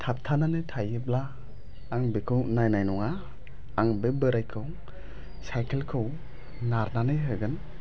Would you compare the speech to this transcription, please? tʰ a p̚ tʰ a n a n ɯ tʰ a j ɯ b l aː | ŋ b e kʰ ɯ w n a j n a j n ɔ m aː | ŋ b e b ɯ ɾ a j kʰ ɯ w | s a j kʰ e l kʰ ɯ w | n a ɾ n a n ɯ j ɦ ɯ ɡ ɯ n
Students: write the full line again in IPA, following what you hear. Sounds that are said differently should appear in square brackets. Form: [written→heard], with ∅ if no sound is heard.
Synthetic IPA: tʰ a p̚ tʰ a n a n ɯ tʰ a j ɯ b l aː | ŋ b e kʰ ɯ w n a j n a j n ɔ [m→ŋ] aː | ŋ b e b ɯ ɾ a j kʰ ɯ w | s a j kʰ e l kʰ ɯ w | n a ɾ n a n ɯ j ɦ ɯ ɡ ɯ n